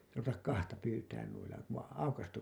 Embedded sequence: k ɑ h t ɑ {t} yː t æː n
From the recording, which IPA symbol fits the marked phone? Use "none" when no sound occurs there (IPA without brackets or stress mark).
p